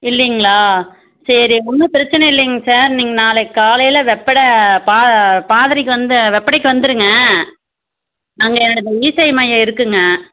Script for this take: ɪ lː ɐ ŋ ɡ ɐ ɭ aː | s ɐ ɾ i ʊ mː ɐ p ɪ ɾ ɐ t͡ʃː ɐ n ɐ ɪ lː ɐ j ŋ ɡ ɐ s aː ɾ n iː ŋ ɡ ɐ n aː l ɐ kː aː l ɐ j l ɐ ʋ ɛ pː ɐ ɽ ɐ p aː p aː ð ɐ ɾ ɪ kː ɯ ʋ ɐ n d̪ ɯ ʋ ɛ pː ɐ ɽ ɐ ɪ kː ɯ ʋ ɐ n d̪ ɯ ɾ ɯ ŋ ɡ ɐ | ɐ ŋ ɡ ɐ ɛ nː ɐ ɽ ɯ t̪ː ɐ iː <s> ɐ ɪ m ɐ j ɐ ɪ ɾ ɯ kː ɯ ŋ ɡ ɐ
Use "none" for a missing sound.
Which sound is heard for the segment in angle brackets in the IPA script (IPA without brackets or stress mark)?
s